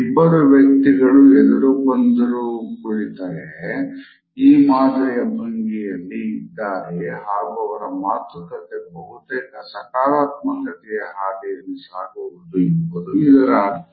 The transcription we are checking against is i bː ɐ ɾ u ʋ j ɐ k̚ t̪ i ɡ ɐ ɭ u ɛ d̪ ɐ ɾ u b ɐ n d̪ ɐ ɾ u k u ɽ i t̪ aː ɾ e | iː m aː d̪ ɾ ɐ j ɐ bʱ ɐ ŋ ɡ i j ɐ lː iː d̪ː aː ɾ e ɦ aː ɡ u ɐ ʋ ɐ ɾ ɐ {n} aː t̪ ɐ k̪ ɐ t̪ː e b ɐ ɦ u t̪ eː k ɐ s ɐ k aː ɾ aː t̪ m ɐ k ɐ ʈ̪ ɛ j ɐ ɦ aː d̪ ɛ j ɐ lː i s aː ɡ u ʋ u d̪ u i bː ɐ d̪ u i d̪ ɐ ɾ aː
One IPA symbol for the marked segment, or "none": m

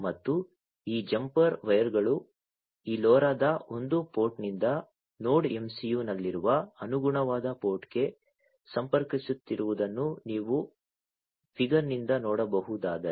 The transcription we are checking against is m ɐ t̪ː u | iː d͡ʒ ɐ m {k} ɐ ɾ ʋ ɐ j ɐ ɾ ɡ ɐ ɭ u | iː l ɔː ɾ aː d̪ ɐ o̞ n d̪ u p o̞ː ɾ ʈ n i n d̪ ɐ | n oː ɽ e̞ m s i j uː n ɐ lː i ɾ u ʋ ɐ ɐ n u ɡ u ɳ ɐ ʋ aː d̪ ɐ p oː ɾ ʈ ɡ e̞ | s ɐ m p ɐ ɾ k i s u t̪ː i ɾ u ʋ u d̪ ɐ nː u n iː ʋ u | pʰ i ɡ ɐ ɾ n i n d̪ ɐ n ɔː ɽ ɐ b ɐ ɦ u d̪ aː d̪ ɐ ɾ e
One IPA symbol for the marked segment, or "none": p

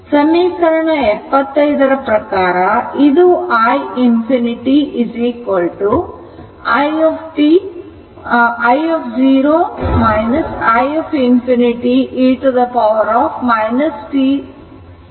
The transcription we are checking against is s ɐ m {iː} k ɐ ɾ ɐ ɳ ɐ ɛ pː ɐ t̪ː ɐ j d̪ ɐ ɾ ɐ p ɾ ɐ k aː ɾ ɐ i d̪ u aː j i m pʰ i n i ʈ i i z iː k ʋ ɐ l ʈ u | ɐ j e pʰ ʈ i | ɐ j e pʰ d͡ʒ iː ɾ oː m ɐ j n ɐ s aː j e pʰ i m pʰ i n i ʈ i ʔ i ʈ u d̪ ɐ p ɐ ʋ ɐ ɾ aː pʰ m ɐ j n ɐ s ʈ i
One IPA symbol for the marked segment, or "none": iː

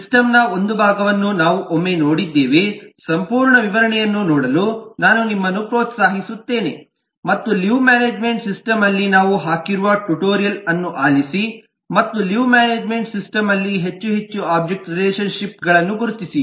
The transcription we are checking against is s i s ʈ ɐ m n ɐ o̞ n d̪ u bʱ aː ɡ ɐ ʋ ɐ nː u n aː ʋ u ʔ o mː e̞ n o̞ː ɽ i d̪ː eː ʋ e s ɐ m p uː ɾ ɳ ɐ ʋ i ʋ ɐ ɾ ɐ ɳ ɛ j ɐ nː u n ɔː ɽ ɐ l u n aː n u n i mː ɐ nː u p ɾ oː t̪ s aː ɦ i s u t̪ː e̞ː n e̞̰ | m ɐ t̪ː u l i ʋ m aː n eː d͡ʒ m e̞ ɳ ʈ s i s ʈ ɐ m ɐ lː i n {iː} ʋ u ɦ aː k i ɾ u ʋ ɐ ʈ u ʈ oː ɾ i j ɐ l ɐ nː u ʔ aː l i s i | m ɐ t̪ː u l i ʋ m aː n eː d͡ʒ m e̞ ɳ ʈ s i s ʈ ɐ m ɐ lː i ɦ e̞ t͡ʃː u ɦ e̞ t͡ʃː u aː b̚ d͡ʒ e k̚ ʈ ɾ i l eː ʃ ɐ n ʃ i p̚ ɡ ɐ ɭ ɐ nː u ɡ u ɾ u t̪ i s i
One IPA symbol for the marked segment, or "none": aː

